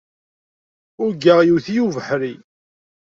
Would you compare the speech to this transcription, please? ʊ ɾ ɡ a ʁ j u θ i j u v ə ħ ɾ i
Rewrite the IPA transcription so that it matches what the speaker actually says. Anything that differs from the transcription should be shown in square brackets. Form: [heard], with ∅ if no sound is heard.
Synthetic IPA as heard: ʊ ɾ ɡ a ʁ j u θ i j u v ə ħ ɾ i